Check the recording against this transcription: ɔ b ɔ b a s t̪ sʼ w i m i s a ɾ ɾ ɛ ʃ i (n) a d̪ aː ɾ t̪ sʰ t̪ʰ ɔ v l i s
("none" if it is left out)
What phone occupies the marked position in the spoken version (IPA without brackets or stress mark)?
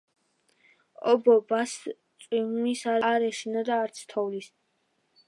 n